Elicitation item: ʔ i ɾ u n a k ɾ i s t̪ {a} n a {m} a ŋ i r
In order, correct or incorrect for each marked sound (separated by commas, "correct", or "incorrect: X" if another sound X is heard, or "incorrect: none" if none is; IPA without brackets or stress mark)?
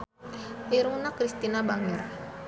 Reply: incorrect: i, incorrect: b